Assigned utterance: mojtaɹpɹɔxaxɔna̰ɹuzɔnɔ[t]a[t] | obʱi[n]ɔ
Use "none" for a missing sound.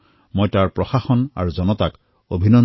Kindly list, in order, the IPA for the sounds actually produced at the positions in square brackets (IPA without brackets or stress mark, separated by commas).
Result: t, k, n